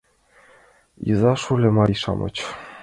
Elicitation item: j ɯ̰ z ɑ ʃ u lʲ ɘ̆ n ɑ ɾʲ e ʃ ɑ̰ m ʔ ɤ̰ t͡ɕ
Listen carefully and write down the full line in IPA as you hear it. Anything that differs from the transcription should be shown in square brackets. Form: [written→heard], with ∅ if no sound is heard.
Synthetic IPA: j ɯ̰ z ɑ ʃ u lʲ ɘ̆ [n→m] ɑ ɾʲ [e→i] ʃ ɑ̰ m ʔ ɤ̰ t͡ɕ